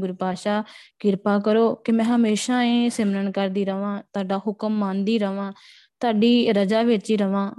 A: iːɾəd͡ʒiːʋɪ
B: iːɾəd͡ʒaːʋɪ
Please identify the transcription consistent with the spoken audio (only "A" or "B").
B